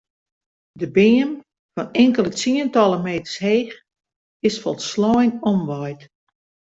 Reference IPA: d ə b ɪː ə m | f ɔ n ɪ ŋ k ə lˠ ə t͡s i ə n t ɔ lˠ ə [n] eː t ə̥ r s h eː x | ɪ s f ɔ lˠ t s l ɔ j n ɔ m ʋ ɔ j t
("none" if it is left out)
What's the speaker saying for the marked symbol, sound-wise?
m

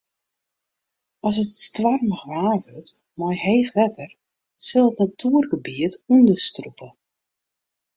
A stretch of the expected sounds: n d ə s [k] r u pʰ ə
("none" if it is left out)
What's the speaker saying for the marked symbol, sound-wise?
t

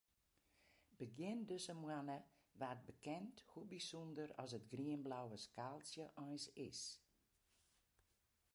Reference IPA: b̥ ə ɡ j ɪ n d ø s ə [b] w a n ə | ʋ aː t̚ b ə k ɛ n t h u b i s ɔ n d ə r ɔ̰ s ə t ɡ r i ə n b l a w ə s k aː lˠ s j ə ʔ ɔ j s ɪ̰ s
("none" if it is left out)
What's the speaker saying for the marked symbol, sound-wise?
m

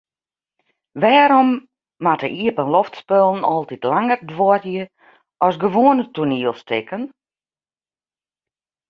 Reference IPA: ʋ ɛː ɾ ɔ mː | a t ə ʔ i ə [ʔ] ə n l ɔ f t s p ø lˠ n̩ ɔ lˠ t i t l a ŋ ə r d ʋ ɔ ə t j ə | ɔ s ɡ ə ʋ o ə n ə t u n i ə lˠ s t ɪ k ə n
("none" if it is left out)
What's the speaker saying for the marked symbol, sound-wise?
p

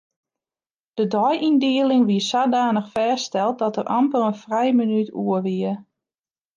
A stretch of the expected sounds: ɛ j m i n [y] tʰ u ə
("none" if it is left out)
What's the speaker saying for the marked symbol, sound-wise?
y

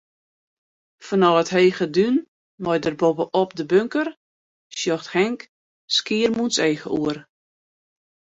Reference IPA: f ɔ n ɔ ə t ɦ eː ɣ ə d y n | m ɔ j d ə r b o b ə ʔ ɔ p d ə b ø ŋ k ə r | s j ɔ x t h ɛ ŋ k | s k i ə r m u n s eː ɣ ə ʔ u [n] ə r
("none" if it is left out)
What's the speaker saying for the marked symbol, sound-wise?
none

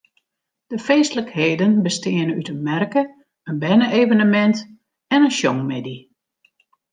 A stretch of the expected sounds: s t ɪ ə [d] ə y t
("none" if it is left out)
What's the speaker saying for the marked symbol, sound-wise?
n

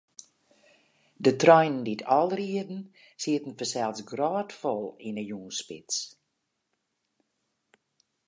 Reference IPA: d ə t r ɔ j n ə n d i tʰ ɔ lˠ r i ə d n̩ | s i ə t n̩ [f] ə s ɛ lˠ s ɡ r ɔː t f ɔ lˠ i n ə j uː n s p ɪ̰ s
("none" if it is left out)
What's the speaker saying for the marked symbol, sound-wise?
f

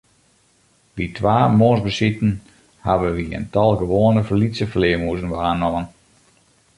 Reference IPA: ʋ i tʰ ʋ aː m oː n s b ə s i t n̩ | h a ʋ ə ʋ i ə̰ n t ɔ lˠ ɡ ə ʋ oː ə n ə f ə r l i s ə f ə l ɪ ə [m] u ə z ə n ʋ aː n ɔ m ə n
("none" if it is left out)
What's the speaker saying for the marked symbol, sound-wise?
m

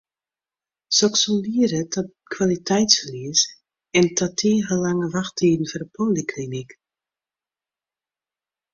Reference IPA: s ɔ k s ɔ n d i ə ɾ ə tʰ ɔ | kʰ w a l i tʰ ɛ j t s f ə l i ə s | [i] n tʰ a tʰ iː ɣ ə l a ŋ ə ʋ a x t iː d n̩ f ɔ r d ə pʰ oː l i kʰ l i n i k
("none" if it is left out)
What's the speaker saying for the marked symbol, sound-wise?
ɛ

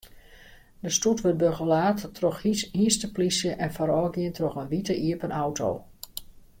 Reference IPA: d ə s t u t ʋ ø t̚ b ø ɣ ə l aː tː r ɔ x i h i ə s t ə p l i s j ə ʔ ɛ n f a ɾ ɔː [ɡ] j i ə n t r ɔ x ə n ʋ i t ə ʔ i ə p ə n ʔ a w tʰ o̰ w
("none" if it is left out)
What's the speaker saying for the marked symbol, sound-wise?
ɡ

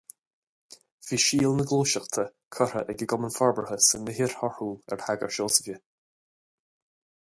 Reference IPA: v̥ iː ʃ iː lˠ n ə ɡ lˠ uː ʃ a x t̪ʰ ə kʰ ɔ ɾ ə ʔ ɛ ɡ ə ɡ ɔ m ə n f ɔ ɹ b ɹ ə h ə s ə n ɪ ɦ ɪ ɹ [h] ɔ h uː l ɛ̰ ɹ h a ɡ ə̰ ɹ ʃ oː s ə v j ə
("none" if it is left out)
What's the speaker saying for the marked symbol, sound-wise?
h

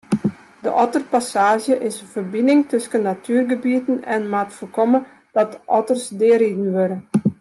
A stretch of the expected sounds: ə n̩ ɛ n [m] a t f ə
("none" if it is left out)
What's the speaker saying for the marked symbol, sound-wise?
m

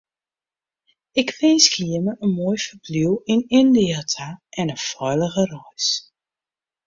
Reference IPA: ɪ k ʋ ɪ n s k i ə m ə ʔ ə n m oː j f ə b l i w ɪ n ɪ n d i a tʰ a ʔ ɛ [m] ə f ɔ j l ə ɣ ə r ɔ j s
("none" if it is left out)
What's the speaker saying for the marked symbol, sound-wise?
n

